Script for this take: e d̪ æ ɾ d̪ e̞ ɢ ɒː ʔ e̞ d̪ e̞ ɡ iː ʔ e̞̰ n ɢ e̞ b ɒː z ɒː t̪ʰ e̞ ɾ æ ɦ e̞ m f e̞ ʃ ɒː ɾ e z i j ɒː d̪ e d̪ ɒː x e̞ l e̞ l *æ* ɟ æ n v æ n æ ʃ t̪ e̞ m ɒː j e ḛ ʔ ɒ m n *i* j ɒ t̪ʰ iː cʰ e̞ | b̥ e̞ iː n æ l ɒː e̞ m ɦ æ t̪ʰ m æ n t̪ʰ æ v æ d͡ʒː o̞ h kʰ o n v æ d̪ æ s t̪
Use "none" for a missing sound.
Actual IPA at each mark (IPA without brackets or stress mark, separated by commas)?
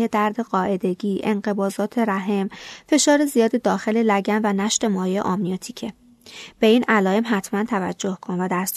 æ, i